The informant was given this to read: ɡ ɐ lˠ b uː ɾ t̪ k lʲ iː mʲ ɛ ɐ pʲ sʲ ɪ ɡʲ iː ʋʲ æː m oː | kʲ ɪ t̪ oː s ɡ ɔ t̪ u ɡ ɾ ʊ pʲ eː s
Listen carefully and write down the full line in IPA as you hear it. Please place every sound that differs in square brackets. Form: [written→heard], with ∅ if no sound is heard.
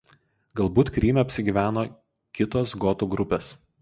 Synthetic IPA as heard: ɡ ɐ lˠ b uː [ɾ→∅] t̪ k [lʲ→ɾʲ] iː mʲ ɛ ɐ pʲ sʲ ɪ ɡʲ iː ʋʲ æː [m→n] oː | kʲ ɪ t̪ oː s ɡ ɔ t̪ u ɡ ɾ ʊ pʲ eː s

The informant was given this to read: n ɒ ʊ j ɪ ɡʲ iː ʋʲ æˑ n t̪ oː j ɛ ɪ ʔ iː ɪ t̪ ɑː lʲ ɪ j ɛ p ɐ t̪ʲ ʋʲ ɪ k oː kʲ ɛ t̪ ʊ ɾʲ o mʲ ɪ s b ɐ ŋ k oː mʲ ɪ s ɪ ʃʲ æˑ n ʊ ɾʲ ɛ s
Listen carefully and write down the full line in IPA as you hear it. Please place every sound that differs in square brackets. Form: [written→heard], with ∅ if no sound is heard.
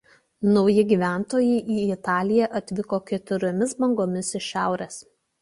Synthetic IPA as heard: n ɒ ʊ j ɪ ɡʲ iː ʋʲ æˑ n t̪ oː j ɛ ɪ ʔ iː ɪ t̪ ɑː lʲ ɪ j ɛ [p→ʔ] ɐ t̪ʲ ʋʲ ɪ k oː kʲ ɛ t̪ ʊ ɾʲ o mʲ ɪ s b ɐ ŋ [k→ɡ] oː mʲ ɪ s ɪ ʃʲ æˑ [n→∅] ʊ ɾʲ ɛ s

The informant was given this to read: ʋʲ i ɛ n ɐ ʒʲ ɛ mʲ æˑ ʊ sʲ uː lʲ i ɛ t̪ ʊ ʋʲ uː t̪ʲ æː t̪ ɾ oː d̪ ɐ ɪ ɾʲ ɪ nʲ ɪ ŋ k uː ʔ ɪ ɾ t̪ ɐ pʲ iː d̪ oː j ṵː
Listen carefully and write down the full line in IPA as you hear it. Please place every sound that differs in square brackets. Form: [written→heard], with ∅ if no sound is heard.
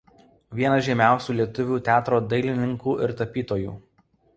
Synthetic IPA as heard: ʋʲ i ɛ n ɐ ʒʲ ɛ mʲ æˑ ʊ sʲ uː lʲ i ɛ t̪ ʊ ʋʲ uː t̪ʲ æː t̪ ɾ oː d̪ ɐ ɪ [ɾʲ→lʲ] ɪ nʲ ɪ ŋ k uː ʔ ɪ ɾ t̪ ɐ pʲ iː [d̪→t̪] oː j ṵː

